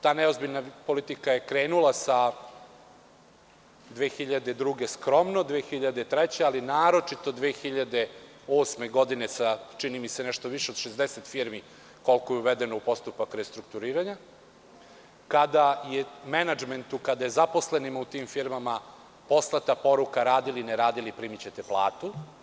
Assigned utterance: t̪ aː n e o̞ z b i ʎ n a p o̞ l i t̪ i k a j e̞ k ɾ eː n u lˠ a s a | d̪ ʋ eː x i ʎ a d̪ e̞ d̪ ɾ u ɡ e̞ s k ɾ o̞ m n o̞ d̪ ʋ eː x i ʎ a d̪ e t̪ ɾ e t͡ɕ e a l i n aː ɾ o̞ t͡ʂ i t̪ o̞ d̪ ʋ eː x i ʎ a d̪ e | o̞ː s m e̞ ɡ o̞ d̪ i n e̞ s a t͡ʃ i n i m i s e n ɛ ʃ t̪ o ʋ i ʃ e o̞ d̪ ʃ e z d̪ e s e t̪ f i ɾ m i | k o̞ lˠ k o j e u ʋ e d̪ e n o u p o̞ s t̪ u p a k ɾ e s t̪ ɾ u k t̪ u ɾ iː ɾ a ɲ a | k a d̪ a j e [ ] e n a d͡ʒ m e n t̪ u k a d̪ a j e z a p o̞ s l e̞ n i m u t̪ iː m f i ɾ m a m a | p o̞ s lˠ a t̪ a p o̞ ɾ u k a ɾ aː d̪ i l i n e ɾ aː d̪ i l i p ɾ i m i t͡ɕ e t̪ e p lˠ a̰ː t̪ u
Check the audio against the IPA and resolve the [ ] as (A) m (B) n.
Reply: A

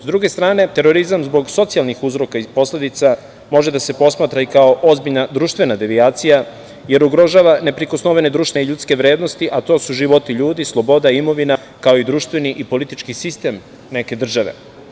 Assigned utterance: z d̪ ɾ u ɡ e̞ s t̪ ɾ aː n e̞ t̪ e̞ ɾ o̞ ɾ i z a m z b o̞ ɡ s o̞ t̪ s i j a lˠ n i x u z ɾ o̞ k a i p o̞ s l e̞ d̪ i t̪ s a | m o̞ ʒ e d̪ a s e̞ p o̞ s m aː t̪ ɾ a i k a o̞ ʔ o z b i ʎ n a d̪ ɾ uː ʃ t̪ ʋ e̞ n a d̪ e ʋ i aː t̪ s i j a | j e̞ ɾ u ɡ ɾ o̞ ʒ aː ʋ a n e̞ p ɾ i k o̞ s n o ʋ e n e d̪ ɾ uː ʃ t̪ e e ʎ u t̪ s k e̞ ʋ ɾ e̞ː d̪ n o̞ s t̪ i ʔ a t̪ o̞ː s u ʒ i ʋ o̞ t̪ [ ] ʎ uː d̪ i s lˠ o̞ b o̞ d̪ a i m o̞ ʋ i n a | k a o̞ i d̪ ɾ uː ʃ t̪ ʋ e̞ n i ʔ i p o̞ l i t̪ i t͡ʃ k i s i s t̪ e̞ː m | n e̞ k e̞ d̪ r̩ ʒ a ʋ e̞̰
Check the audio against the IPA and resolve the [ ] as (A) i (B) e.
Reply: A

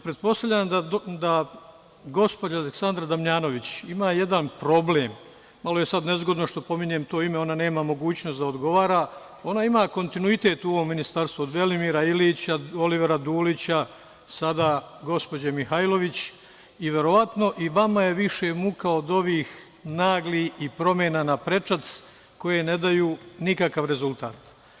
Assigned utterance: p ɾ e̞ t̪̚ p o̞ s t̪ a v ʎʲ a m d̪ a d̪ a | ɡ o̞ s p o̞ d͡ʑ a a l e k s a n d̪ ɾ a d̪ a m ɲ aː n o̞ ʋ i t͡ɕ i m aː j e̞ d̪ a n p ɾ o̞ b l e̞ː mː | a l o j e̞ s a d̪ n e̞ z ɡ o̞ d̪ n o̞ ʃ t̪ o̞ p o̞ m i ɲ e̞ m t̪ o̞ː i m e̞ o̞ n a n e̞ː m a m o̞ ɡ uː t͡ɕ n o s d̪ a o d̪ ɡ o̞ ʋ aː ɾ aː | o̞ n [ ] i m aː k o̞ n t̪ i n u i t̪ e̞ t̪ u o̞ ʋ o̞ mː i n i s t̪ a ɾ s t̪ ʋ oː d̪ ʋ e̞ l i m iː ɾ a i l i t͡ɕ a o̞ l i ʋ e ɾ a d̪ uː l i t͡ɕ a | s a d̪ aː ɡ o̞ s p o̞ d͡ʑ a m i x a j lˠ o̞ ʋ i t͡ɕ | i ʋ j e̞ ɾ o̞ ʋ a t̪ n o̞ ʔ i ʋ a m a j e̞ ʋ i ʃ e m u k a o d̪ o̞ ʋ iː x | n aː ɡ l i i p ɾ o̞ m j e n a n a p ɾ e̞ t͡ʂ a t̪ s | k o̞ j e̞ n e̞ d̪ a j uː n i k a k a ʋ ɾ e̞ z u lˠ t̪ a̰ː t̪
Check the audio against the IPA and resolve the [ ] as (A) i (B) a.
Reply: B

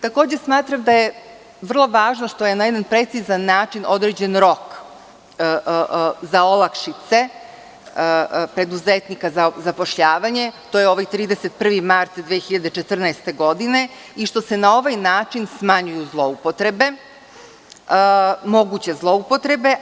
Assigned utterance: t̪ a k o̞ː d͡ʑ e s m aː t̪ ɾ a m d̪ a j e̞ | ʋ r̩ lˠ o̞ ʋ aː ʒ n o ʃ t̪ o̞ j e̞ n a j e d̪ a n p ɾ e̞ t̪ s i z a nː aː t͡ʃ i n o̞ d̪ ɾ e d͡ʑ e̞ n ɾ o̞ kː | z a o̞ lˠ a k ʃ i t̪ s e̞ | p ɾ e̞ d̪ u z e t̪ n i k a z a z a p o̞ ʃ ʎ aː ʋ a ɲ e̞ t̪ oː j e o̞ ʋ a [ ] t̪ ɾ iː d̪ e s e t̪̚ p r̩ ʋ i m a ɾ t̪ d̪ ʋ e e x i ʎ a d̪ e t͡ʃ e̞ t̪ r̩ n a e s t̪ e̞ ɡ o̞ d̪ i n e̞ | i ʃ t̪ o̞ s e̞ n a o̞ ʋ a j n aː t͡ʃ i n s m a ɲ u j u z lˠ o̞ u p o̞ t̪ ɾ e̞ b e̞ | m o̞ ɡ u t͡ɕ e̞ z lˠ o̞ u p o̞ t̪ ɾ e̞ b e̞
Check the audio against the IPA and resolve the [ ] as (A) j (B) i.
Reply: A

